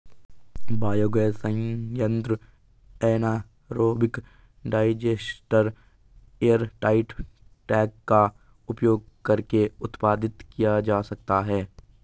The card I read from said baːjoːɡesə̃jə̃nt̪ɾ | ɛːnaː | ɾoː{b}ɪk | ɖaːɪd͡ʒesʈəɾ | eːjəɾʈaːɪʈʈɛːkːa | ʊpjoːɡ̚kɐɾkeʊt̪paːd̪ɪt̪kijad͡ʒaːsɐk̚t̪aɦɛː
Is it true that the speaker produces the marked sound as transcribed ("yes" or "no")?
yes